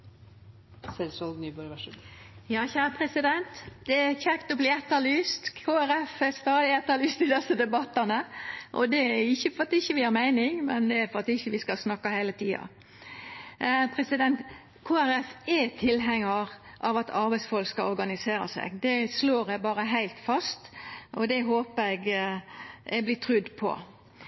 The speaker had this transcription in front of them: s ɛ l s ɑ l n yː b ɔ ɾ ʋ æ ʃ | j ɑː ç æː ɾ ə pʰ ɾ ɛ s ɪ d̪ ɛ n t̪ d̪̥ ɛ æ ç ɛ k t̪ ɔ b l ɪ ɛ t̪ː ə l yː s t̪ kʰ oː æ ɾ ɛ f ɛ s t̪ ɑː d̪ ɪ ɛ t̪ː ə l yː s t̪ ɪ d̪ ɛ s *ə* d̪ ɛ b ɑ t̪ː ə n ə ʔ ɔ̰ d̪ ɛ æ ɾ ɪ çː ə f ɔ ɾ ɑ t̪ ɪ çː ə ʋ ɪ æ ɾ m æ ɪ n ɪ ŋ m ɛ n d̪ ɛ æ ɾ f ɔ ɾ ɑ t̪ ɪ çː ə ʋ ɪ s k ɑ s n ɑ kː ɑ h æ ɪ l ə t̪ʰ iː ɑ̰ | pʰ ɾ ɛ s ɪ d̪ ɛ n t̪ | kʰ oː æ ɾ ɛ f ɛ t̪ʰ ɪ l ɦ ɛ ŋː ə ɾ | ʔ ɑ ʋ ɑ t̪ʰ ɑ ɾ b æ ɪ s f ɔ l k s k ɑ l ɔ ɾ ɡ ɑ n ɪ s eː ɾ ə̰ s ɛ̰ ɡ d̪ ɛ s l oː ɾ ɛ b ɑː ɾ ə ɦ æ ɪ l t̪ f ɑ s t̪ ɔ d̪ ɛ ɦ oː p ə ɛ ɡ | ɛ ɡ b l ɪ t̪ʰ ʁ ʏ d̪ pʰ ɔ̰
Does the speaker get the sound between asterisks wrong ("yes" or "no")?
no